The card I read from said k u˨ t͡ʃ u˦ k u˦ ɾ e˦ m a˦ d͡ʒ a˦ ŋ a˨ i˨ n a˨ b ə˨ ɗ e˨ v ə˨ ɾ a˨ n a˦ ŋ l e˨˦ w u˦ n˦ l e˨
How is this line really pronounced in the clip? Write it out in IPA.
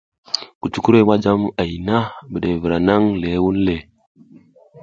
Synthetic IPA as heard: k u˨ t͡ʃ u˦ k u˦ ɾ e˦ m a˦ d͡ʒ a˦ m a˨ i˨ n a˦ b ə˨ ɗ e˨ v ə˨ ɾ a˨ n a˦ ŋ l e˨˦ w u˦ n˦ l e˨